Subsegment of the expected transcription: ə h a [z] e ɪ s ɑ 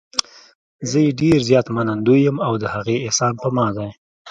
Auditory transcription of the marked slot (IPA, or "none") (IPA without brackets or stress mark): ɣ